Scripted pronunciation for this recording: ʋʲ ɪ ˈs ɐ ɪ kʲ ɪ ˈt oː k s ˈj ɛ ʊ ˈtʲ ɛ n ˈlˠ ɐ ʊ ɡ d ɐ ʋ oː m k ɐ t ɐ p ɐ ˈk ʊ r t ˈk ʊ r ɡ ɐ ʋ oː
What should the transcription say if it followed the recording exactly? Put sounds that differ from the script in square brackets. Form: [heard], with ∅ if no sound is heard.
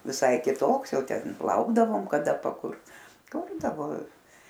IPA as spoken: ʋʲ ɪ ˈs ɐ ɪ kʲ ɪ ˈt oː k s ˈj ɛ ʊ ˈtʲ ɛ n ˈlˠ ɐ ʊ ɡ d ɐ ʋ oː m k ɐ [d] ɐ p ɐ ˈk ʊ r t ˈk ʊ r [d] ɐ ʋ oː